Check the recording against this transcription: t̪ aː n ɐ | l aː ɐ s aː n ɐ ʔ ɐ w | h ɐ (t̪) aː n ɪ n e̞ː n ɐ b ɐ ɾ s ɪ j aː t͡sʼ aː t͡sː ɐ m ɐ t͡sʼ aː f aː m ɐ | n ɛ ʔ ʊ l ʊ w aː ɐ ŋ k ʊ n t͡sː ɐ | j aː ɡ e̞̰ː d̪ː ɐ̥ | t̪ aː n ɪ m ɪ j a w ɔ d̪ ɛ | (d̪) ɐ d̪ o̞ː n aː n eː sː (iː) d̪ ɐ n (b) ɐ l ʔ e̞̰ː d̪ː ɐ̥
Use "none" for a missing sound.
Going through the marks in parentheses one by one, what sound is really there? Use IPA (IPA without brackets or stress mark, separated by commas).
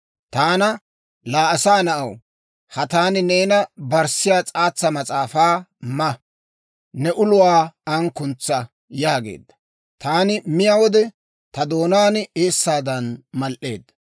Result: t̪, t̪, aː, m